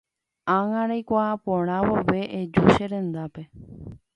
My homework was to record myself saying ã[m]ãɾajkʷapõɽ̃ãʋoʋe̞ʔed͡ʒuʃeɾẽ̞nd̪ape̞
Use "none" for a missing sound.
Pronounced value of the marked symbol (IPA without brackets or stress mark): ŋ